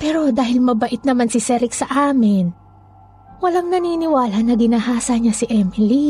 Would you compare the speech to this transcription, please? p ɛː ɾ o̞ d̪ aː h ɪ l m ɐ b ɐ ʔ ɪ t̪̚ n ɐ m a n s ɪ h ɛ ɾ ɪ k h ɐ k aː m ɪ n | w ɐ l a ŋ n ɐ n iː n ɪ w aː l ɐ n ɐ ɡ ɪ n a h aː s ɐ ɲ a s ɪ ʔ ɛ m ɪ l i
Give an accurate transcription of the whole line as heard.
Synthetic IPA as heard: p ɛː ɾ o̞ d̪ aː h ɪ l m ɐ b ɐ ʔ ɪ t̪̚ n ɐ m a n s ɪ s ɛ ɾ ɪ k s ɐ ʔ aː m ɪ n | w ɐ l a ŋ n ɐ n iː n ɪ w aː l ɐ n ɐ ɡ ɪ n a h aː s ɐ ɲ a s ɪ ʔ ɛ m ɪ l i